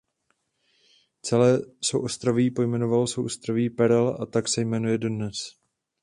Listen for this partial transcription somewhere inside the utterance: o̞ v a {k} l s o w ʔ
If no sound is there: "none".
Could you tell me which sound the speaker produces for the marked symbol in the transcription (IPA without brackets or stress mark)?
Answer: none